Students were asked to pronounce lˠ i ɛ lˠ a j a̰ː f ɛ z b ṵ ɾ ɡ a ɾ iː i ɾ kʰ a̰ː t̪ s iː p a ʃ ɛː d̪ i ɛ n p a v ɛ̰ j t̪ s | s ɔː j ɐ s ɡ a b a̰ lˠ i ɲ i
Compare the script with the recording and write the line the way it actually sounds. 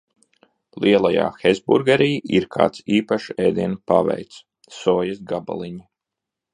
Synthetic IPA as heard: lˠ i ɛ lˠ a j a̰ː x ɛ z b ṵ ɾ ɡ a ɾ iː i ɾ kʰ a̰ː t̪ s iː p a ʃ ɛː d̪ i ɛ n p a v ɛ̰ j t̪ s | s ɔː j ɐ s ɡ a b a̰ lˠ i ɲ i